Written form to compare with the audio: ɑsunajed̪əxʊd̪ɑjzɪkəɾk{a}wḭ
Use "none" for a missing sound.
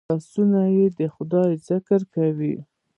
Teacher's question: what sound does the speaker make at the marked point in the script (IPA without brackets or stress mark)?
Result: a